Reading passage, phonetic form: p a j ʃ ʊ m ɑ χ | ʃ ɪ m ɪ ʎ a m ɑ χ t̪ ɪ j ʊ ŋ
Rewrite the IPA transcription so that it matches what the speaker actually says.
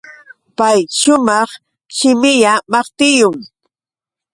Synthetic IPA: p a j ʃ ʊ m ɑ χ | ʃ ɪ m ɪ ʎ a m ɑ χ t̪ ɪ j ʊ ŋ